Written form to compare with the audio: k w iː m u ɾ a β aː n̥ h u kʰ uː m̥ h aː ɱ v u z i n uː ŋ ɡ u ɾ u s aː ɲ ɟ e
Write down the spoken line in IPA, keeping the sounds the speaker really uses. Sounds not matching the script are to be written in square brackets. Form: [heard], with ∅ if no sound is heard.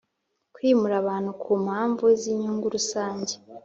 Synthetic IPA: k w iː m u ɾ a β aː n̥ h u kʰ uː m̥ h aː ɱ v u z i [ɲ] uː ŋ ɡ u ɾ u s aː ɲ ɟ e